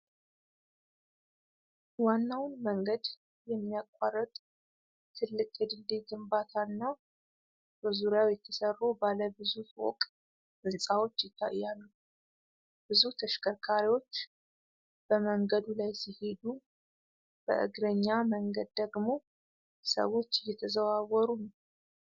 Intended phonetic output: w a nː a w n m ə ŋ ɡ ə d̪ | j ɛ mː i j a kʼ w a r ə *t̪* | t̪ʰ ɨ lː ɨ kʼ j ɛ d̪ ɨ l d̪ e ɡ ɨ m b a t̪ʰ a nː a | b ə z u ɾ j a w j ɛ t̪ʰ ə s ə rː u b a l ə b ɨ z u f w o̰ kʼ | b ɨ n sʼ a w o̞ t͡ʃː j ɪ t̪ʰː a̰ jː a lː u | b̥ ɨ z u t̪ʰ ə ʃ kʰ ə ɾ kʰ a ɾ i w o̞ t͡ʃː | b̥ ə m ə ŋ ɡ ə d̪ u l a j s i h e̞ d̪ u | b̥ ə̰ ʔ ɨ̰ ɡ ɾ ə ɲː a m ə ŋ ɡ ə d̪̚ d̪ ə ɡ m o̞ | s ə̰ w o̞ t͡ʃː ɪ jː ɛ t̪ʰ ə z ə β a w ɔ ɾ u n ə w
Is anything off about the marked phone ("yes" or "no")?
yes